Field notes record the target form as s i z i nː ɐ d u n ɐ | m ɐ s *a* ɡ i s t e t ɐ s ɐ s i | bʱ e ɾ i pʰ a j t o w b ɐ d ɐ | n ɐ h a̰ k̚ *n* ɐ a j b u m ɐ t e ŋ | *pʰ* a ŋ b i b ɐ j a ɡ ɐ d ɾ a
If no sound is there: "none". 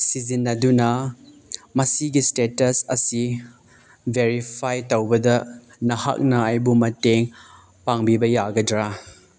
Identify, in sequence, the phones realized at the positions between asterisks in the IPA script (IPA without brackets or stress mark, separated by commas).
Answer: i, n, p